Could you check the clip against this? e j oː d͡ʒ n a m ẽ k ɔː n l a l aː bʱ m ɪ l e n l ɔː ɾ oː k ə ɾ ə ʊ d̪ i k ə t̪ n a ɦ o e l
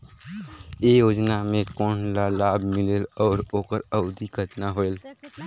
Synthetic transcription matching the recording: e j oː d͡ʒ n a m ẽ k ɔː n l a l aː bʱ m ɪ l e l ɔː ɾ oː k ə ɾ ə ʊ d̪ i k ə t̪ n a ɦ o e l